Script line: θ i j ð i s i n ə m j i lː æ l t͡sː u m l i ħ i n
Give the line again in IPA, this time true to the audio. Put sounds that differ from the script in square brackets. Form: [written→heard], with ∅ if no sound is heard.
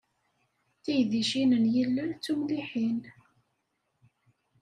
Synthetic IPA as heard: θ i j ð i [s→ʃ] i n ə [m→n] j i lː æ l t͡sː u m l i ħ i n